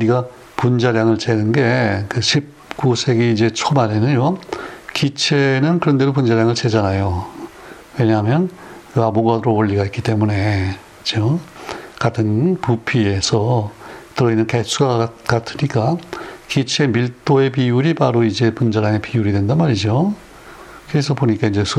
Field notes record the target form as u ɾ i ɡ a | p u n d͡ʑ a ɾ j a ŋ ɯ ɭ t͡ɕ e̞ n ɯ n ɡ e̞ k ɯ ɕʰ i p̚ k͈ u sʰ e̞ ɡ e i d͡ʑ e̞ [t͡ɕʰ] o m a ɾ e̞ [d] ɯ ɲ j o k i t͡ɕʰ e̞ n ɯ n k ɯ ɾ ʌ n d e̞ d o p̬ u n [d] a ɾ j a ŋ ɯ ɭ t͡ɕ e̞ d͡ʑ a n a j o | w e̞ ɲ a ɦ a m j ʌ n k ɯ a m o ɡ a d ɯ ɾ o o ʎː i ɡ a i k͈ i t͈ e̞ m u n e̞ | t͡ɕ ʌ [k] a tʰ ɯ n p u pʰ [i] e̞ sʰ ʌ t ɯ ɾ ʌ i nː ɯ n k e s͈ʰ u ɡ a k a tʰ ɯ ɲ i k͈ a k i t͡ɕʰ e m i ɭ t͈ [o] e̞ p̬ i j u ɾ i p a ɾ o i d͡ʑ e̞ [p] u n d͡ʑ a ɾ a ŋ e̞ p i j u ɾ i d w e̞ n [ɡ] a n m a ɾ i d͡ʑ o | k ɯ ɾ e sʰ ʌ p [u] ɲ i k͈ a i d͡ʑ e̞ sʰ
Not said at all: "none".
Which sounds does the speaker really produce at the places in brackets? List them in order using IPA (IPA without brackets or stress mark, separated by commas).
t͡ɕʰ, n, d͡ʑ, k, i, o, p, d, o